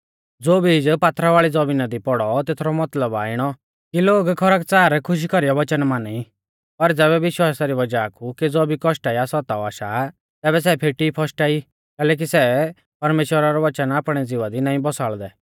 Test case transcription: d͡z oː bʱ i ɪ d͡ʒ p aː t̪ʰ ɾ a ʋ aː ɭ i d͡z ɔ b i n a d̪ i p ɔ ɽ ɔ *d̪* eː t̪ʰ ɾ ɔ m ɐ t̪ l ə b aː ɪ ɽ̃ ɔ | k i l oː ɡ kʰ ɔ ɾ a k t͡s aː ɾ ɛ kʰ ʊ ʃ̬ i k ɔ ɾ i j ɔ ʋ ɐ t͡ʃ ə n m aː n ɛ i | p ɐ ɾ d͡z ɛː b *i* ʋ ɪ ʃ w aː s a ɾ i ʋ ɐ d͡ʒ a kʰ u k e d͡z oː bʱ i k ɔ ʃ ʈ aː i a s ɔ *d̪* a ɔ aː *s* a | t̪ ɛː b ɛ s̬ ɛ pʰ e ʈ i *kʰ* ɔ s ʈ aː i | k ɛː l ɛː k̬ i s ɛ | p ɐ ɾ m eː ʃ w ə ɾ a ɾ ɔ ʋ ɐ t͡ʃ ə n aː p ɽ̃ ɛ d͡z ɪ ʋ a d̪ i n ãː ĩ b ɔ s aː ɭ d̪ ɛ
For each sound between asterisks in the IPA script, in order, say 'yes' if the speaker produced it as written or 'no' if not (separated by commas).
no, no, no, no, no